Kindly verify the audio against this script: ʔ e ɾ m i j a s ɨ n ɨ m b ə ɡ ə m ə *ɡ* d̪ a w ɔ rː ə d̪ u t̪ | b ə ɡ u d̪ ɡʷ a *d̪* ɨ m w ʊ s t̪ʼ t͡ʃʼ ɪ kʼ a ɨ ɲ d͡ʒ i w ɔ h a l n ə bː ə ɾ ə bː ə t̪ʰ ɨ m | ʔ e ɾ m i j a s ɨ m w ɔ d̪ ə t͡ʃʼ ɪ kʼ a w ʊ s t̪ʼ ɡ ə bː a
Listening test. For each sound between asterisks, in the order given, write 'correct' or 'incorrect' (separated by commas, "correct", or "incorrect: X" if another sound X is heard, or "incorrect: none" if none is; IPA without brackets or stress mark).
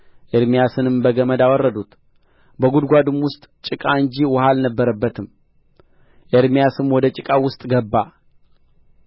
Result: incorrect: none, correct